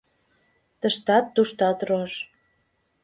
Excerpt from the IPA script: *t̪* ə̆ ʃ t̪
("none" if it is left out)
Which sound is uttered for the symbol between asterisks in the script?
t̪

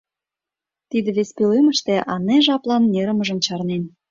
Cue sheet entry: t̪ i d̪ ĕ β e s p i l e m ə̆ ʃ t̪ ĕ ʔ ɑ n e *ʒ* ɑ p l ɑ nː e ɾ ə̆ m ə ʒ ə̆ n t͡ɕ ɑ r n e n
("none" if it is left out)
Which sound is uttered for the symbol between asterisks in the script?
ʒ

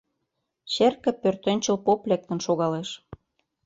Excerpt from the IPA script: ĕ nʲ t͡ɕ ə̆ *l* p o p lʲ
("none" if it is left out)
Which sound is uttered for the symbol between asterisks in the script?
l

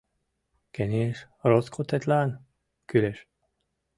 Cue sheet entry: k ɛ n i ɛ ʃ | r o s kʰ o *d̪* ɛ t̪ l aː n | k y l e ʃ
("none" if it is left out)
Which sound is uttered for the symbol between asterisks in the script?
t̪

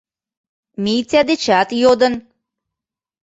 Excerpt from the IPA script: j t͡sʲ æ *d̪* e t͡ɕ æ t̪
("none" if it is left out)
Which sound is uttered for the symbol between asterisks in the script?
d̪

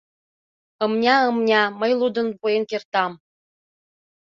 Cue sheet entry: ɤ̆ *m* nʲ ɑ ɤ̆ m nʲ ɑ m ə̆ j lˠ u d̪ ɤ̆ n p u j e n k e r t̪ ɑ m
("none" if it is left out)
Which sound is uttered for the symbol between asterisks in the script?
m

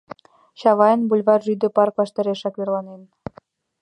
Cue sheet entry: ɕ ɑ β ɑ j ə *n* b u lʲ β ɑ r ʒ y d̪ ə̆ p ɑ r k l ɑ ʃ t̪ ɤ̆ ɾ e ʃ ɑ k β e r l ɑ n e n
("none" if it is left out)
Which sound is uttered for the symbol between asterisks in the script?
n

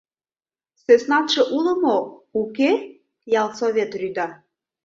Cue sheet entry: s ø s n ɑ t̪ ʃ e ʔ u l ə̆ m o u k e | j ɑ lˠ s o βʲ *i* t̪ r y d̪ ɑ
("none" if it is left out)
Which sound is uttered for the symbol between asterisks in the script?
e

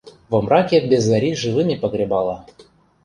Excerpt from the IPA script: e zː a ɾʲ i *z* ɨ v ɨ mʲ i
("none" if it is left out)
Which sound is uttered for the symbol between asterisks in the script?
ʐ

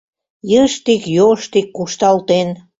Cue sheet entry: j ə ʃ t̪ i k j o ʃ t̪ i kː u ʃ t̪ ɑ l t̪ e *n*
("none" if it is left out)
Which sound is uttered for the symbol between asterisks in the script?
n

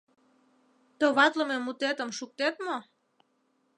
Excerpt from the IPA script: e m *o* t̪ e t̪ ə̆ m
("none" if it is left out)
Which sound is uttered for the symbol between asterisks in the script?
u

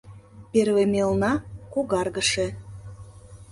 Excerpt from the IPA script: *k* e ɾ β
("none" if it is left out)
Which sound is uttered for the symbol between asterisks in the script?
p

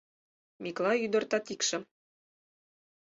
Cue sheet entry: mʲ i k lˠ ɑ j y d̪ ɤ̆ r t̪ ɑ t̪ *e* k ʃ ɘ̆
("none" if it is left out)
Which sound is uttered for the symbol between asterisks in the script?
i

